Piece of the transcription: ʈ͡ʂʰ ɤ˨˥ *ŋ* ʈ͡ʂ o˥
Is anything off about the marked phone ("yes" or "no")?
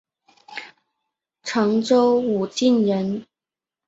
no